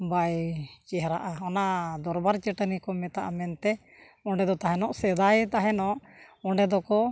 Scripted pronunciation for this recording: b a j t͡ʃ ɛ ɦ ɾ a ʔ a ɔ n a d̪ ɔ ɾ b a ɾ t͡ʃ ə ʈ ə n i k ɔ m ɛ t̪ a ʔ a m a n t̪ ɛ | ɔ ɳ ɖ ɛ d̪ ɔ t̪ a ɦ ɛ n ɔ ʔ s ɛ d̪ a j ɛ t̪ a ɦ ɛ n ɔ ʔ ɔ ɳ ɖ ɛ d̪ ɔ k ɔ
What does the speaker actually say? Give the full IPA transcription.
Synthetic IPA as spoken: b a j t͡ʃ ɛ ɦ ɾ a ʔ a ɔ n a d̪ ɔ ɾ b a ɾ t͡ʃ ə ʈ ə n i k ɔ m ɛ t̪ a ʔ a m ɛ n t̪ ɛ | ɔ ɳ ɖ ɛ d̪ ɔ t̪ a ɦ ɛ n ɔ ʔ s ɛ d̪ a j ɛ t̪ a ɦ ɛ n ɔ ʔ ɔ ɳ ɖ ɛ d̪ ɔ k ɔ